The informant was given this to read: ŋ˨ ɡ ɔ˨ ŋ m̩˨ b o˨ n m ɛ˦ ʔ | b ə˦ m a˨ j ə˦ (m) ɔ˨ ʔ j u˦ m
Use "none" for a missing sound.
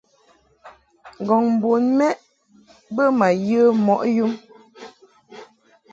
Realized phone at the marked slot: m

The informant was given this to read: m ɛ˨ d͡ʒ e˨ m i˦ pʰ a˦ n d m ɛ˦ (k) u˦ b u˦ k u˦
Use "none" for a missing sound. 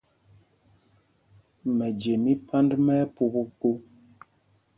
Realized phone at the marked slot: p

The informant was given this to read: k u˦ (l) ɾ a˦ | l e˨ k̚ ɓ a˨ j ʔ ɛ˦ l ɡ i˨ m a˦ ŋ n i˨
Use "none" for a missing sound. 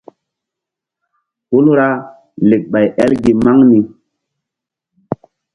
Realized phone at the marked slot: l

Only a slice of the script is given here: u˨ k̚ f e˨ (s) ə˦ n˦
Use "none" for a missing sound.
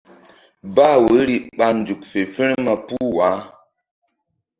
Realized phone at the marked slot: f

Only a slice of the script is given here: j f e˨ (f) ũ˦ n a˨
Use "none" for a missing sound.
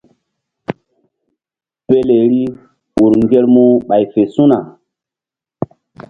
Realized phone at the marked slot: s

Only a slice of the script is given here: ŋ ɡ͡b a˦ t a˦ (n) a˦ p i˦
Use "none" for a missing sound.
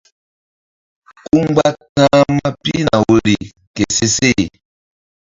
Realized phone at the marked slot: m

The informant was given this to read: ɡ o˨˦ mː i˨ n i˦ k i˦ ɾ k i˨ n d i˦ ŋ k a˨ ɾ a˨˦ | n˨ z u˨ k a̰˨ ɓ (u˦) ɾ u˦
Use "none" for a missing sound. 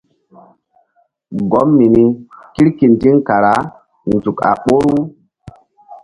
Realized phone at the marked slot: o˦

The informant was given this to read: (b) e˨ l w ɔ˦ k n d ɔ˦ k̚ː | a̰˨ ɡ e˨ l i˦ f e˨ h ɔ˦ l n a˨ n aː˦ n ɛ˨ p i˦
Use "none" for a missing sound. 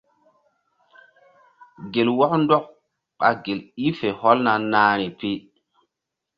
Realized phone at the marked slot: ɡ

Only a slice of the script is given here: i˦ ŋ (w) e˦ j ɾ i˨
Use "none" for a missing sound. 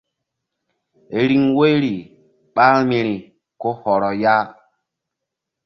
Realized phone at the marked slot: w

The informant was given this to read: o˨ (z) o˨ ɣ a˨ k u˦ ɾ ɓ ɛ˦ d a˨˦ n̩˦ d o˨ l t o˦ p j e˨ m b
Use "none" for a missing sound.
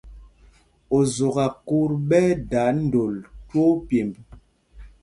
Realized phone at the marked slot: z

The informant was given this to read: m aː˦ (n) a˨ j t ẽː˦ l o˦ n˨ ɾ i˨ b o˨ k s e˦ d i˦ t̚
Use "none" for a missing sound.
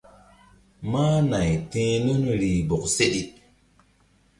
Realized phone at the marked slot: n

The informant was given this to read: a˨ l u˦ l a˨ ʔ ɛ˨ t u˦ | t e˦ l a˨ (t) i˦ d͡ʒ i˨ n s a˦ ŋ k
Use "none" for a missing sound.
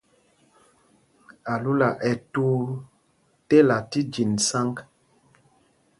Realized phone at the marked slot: t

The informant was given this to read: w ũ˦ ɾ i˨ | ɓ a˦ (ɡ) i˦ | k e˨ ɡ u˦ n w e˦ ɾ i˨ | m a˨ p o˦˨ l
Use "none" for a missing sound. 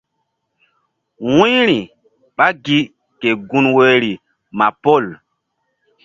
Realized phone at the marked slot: ɡ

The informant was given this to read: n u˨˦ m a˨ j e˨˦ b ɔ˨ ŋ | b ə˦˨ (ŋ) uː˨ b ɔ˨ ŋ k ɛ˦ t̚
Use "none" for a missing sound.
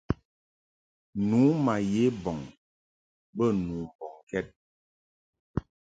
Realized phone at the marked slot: n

